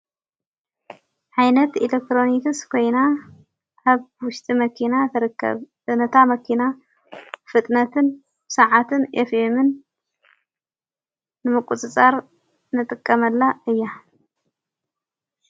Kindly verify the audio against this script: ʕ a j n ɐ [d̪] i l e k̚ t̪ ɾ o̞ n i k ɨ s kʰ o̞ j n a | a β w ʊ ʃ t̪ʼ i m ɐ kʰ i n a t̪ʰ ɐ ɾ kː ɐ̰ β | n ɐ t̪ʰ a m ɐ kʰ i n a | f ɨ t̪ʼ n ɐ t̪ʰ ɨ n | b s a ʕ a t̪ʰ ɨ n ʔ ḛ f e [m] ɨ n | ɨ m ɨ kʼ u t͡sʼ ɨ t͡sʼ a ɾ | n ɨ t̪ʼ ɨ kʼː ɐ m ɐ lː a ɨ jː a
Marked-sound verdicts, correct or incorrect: incorrect, correct

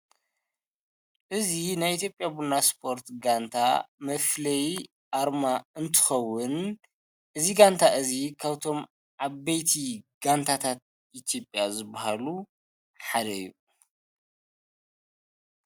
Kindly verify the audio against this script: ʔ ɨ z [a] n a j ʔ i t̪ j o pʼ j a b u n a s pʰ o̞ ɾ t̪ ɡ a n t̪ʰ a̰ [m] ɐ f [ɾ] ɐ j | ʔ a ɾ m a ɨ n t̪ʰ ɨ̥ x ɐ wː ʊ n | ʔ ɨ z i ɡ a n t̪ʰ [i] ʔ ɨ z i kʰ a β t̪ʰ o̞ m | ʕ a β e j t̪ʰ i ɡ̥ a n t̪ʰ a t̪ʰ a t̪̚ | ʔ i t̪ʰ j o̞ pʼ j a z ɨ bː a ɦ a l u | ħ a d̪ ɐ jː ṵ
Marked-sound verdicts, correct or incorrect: incorrect, correct, incorrect, incorrect

